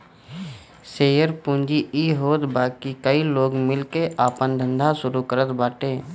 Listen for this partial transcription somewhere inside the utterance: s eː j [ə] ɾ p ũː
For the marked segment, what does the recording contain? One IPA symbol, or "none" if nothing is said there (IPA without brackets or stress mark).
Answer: ə